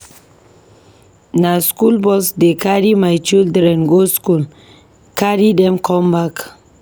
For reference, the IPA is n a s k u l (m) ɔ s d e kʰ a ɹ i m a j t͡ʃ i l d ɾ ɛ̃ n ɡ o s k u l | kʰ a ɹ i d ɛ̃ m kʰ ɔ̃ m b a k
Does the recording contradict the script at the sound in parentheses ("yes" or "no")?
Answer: yes